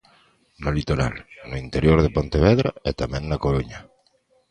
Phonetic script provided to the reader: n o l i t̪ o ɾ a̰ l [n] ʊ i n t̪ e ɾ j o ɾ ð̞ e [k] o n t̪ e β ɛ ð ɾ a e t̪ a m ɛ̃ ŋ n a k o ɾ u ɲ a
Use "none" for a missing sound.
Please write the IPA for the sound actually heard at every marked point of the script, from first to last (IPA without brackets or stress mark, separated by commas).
n, p